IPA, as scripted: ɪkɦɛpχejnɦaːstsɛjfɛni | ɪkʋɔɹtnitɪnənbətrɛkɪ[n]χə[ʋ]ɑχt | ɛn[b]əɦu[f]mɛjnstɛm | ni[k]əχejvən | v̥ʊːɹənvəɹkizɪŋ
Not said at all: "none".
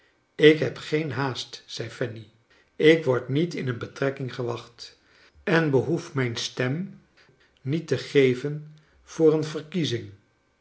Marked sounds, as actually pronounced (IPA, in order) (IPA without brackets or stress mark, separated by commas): ŋ, ʋ, b, f, t